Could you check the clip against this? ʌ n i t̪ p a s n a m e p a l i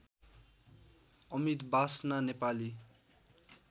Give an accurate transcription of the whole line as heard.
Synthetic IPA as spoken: ʌ m i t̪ b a s n a n e p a l i